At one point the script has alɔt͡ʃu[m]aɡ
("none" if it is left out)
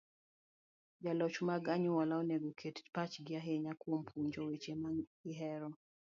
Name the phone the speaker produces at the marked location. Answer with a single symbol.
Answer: m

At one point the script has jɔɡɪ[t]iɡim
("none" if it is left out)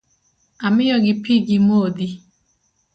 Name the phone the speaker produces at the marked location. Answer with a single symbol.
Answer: p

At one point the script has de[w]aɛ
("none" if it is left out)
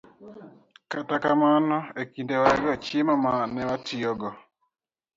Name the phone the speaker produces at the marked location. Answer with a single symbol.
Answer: w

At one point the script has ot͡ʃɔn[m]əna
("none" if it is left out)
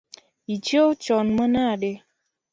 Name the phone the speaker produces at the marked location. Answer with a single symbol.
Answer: m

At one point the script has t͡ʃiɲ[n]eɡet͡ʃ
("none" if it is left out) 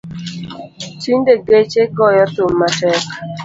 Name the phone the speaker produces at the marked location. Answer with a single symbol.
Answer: d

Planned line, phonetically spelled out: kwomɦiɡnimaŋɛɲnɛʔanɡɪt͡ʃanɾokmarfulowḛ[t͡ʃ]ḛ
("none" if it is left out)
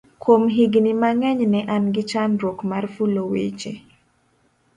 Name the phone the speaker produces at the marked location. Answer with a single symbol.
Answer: t͡ʃ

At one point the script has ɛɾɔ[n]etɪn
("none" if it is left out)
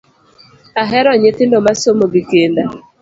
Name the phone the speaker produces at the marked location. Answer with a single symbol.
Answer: ɲ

